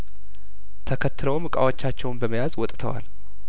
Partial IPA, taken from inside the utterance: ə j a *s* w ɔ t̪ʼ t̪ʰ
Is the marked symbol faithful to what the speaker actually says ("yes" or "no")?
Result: no